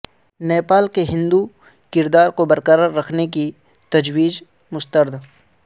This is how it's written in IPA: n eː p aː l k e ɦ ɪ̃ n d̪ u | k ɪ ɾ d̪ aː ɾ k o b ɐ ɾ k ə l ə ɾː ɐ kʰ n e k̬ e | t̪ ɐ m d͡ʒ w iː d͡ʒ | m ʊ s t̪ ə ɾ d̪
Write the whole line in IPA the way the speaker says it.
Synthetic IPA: n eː p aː l k e ɦ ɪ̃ n d̪ u | k ɪ ɾ d̪ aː ɾ k o b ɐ ɾ k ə ɾ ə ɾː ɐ kʰ n e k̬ i | t̪ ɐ d͡ʒ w iː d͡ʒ | m ʊ s t̪ ə ɾ d̪